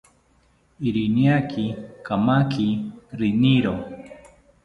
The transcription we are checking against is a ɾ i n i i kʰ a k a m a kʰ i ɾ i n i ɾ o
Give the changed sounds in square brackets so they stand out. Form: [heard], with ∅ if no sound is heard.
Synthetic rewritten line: [i] ɾ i n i [a] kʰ [i] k a m a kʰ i ɾ i n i ɾ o